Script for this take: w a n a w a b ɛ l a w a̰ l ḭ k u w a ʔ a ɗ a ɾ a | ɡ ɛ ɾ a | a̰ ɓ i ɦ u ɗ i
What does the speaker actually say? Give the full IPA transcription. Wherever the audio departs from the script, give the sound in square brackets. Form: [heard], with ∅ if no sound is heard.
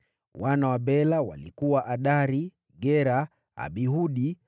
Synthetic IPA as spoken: w a n a w a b ɛ l a w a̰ l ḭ k u w a ʔ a ɗ a ɾ [i] | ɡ ɛ ɾ a | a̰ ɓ i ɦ u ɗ i